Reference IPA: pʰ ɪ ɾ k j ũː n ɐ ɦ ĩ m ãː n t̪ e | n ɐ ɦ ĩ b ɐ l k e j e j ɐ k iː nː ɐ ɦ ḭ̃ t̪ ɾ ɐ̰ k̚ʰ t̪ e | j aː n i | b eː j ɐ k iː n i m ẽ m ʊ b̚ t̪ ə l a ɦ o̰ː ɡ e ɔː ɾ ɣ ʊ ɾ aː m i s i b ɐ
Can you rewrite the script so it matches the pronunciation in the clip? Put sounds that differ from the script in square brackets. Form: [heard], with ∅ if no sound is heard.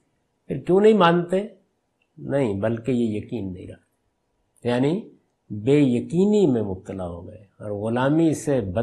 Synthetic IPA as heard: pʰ ɪ ɾ k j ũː n ɐ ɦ ĩ m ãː n t̪ e | n ɐ ɦ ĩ b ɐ l k e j e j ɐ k iː nː ɐ ɦ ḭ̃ [∅] ɾ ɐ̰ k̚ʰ t̪ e | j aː n i | b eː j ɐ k iː n i m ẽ m ʊ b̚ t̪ ə l a ɦ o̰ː ɡ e ɔː ɾ ɣ ʊ [l] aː m i s [e] b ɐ